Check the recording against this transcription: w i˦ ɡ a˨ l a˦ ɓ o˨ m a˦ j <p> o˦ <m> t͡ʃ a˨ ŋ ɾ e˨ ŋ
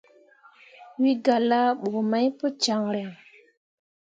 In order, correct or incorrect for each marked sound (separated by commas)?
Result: correct, incorrect